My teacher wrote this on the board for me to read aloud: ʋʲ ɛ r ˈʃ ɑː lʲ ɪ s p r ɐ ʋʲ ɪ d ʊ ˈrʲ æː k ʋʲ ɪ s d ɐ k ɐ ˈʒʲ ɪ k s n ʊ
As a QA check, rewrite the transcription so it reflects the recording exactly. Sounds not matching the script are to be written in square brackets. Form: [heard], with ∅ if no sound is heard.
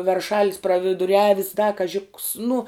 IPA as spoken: ʋʲ ɛ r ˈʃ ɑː lʲ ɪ s p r ɐ ʋʲ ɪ d ʊ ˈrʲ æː [∅] ʋʲ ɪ s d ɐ k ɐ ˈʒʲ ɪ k s n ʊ